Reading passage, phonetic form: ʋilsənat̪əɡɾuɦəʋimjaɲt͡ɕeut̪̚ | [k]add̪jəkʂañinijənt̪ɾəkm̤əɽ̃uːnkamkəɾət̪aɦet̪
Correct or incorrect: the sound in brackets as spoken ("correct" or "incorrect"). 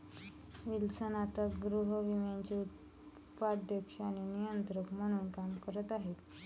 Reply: incorrect